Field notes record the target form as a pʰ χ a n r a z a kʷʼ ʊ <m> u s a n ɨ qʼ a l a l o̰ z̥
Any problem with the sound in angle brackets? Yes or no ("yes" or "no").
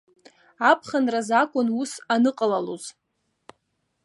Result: yes